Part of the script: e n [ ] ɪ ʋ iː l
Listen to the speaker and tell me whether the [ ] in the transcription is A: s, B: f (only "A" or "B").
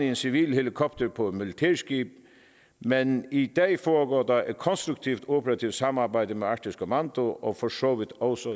A